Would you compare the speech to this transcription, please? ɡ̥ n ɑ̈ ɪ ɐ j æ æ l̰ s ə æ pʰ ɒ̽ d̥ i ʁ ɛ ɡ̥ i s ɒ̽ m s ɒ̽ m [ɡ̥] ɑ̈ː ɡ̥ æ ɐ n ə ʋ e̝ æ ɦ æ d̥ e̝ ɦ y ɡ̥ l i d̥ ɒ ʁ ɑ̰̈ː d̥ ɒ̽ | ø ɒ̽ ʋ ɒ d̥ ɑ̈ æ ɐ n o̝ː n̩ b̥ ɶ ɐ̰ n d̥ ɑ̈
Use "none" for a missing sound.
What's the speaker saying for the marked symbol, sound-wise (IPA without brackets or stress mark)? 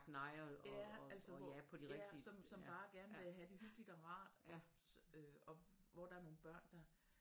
b̥